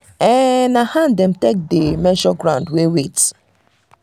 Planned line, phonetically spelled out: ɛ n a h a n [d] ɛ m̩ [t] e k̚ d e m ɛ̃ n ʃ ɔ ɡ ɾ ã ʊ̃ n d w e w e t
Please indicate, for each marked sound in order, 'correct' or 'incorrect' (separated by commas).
correct, correct